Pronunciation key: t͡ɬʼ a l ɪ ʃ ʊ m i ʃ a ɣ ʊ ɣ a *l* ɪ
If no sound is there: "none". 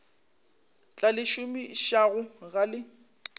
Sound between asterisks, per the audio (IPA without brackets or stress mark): l